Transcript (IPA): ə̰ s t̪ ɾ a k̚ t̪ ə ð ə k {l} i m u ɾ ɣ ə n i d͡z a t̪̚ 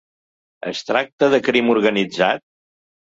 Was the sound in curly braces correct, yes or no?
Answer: no